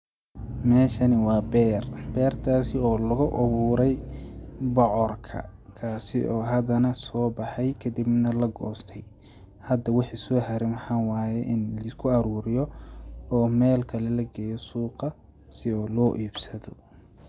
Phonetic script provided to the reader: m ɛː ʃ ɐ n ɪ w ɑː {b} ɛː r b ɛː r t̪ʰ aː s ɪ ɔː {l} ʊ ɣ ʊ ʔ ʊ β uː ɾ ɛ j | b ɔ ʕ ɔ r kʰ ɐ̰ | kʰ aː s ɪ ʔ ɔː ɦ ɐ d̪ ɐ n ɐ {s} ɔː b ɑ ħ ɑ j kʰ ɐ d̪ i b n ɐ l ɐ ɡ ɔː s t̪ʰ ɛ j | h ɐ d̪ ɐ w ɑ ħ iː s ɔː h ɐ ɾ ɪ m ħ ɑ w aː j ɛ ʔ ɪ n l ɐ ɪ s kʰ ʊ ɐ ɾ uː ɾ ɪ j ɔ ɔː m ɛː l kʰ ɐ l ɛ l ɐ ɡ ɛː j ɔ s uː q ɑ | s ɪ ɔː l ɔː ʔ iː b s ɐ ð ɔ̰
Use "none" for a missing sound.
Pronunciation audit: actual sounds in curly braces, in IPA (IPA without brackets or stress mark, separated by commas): b, l, s